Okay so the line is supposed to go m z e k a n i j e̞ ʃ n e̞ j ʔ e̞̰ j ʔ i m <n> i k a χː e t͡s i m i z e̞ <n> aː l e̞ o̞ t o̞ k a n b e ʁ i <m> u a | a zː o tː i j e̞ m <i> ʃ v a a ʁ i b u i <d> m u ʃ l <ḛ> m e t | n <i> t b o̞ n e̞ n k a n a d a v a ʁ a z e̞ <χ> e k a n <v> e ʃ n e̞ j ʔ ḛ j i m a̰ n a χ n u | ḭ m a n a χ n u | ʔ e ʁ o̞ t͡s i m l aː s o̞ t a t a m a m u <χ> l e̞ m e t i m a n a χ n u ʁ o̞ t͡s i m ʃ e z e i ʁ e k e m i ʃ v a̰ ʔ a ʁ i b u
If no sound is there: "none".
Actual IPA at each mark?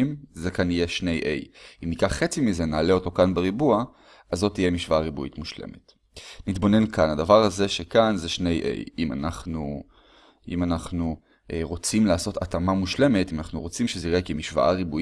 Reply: n, n, b, i, t, ḛ, i, ʃ, z, ʃ

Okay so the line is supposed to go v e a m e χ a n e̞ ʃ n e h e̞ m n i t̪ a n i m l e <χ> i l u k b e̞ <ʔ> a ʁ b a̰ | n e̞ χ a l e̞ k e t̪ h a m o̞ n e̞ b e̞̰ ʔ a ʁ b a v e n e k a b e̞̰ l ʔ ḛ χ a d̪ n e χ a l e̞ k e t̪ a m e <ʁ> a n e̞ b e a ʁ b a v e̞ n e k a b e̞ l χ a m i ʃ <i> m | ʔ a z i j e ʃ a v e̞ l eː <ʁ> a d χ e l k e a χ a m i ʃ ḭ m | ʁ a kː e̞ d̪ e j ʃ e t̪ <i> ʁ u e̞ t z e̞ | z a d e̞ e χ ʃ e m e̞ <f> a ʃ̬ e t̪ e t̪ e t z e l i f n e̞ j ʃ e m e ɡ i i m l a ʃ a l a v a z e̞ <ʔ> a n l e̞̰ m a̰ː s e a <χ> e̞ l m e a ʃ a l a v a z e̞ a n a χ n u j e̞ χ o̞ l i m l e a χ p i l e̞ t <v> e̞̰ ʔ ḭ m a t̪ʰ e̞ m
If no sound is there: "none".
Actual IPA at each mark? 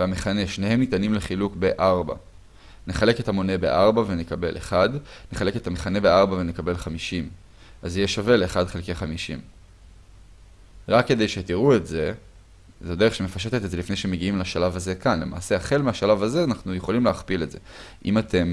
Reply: χ, ʔ, χ, i, χ, i, f, k, χ, z

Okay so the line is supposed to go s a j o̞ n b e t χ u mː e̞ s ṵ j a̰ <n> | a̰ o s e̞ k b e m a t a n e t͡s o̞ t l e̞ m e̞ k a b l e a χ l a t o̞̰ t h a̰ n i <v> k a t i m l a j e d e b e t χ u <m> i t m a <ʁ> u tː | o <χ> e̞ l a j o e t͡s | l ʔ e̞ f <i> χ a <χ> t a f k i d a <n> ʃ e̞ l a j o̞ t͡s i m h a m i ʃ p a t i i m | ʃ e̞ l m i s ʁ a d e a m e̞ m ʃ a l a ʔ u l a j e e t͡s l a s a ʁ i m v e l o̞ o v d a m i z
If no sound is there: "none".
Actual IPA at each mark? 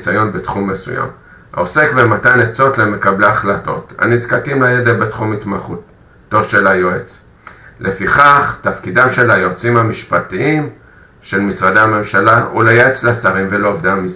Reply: m, z, m, χ, ʃ, i, χ, m

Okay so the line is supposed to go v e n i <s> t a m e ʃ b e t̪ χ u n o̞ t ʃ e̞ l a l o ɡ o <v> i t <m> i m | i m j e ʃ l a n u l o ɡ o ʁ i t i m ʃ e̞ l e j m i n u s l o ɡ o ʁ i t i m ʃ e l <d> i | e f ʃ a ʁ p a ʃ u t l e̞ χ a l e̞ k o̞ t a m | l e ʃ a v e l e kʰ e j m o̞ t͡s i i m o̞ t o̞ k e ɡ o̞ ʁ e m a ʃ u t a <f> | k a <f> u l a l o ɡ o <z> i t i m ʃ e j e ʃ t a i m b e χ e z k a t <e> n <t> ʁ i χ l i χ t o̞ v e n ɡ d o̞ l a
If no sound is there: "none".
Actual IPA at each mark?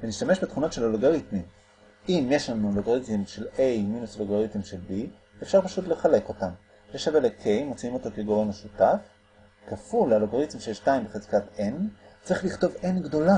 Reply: ʃ, ʁ, m, b, f, f, ʁ, e, t͡s

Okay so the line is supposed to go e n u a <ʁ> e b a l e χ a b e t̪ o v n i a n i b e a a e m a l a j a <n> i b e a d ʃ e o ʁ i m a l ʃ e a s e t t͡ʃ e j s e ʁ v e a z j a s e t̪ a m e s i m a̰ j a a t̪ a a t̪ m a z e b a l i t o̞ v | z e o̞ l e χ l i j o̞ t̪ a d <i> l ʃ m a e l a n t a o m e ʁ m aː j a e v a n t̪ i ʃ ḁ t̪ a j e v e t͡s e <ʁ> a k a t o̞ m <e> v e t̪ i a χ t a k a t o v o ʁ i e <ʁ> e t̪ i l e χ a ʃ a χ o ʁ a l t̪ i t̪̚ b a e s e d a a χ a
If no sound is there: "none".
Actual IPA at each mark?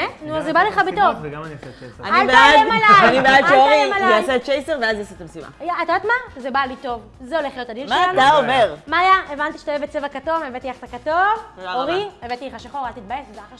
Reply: z, n, i, v, e, v

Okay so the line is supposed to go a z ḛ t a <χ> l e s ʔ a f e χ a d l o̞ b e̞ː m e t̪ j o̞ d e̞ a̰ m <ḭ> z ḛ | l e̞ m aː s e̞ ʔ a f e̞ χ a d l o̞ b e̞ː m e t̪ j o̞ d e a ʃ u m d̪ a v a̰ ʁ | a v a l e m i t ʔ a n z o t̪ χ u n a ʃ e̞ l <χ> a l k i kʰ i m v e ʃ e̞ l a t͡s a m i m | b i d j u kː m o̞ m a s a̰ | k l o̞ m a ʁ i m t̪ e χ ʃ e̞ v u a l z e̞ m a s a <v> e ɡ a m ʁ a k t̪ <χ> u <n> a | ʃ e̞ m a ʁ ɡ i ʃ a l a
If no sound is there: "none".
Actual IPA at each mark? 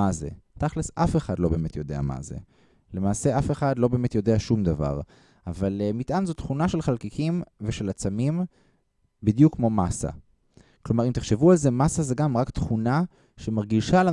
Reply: χ, a̰, χ, z, χ, n

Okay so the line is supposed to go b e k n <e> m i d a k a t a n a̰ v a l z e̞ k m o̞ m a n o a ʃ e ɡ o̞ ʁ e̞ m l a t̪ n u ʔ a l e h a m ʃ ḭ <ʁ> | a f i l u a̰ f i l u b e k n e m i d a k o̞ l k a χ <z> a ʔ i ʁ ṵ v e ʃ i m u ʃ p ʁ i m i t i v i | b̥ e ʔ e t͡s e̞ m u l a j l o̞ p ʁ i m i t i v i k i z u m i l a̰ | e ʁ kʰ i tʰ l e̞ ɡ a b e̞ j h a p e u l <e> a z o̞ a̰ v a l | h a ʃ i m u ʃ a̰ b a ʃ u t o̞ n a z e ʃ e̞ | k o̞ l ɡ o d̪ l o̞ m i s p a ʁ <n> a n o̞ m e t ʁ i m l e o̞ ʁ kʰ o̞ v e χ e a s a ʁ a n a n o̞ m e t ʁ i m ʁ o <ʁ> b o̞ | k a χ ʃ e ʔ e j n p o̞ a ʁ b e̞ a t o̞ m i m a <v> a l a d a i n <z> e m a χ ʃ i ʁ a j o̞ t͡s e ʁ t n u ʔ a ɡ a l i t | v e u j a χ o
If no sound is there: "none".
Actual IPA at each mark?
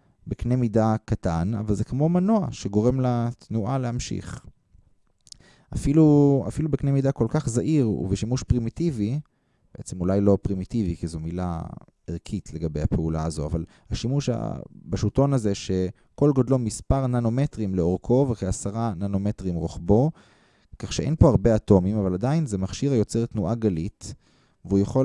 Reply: e, χ, z, a, n, χ, v, z

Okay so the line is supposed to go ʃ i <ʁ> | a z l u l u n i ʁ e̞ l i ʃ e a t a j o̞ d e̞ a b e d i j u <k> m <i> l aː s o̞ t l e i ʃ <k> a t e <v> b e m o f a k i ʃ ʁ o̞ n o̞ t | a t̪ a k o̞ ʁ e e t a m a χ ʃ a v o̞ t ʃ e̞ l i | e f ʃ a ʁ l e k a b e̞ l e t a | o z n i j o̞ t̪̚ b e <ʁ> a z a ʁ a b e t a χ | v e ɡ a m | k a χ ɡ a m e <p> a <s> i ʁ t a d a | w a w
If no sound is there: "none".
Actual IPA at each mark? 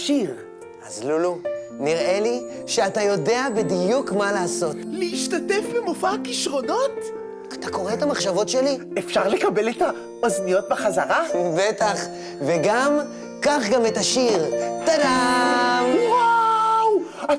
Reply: ʁ, k, a, t, f, χ, t, ʃ

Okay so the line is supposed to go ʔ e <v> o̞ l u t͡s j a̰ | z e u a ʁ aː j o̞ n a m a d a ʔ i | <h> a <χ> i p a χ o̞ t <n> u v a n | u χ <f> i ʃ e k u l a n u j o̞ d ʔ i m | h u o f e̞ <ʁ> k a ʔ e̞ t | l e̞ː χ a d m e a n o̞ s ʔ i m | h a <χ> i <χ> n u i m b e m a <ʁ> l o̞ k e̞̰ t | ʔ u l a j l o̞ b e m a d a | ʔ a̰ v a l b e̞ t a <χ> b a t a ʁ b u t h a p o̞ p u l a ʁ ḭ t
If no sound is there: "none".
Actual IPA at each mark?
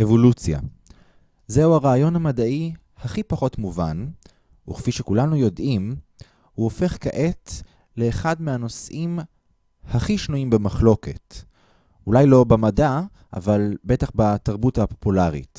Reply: v, h, χ, m, f, χ, χ, ʃ, χ, χ

